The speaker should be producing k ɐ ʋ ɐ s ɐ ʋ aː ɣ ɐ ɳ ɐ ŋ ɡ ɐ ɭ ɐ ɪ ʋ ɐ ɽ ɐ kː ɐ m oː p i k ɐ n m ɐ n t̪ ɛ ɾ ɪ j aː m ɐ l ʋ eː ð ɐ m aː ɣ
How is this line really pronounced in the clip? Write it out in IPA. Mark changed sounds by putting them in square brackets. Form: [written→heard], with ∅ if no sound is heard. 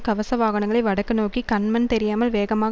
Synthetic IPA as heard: k ɐ ʋ ɐ s ɐ ʋ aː ɣ ɐ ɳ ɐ ŋ ɡ ɐ ɭ ɐ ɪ ʋ ɐ ɽ ɐ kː ɐ [m→n] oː [p→k] i k ɐ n m ɐ n t̪ ɛ ɾ ɪ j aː m ɐ l ʋ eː [ð→ɣ] ɐ m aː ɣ